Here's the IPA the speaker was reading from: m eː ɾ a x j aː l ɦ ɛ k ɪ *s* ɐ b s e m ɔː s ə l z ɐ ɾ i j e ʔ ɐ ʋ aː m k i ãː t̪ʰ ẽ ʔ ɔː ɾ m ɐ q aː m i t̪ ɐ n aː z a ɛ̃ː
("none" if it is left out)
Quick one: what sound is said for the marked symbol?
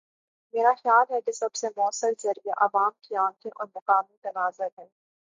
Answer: s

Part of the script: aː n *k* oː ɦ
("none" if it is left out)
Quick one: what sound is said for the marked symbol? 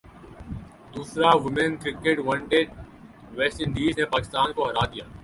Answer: k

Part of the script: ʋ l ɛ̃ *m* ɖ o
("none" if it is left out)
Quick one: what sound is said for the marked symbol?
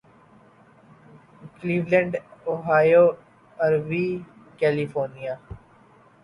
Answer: ɳ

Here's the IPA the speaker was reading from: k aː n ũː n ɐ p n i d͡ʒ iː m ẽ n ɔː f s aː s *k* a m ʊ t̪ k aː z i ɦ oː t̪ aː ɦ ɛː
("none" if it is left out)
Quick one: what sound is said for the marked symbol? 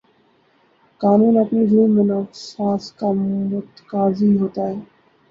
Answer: k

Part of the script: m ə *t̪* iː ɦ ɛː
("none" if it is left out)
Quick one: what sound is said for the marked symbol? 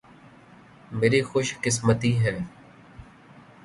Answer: t̪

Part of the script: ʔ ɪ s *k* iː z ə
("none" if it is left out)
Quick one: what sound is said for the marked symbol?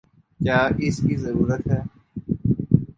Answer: k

